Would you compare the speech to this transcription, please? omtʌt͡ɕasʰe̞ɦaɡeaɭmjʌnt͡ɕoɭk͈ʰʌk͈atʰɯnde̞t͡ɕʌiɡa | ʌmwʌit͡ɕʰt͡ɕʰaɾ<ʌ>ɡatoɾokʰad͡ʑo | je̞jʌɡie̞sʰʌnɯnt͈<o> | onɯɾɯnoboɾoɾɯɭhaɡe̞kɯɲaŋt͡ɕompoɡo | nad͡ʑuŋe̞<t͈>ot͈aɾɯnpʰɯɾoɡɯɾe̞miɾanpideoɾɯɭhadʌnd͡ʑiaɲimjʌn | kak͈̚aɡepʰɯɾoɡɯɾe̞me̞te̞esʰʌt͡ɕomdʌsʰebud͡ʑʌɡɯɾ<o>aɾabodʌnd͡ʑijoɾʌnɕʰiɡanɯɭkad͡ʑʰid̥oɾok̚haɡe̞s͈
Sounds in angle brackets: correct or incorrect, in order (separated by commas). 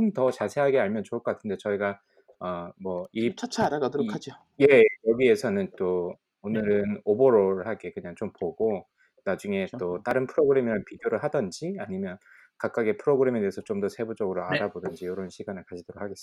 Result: incorrect, correct, correct, correct